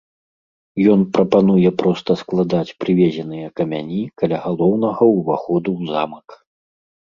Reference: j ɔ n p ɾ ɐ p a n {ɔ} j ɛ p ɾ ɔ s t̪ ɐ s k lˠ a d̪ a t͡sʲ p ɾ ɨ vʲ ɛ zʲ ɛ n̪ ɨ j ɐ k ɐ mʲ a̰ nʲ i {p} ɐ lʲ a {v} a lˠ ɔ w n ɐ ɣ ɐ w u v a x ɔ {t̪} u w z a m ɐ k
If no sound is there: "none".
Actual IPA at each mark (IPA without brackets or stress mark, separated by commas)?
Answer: u, k, ɣ, d̪